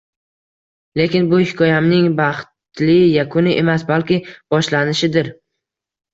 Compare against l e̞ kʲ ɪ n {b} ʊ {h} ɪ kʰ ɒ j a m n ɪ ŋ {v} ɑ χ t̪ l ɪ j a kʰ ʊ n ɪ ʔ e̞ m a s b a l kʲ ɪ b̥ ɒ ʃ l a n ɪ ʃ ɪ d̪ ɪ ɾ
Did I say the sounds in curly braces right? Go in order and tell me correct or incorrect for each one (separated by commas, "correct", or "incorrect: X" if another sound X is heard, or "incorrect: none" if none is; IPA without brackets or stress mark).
correct, correct, incorrect: b